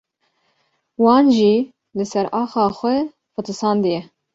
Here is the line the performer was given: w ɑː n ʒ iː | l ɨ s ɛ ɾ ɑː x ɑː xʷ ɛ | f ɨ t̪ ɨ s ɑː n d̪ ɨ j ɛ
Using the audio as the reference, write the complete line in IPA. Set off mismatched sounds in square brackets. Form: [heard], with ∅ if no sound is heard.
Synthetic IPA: w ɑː n ʒ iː | l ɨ s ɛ ɾ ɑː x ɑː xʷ ɛ | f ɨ t̪ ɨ s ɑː n d̪ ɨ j ɛ